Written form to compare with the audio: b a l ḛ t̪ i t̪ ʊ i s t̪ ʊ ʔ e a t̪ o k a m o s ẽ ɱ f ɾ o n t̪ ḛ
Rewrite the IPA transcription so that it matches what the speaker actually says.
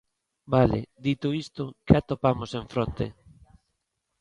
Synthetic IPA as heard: b a l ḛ d̪ i t̪ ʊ i s t̪ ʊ k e a t̪ o p a m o s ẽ ɱ f ɾ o n t̪ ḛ